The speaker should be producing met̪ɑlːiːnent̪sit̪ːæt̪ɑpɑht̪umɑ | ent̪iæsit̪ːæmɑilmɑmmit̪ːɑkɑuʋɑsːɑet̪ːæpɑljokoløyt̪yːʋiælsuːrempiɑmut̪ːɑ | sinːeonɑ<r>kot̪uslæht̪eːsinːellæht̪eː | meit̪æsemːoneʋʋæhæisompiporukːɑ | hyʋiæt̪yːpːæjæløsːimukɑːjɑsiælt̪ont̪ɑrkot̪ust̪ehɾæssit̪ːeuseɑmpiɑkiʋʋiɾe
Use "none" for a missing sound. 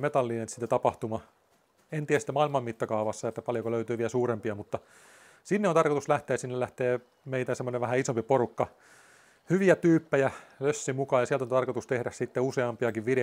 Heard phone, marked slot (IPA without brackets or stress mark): r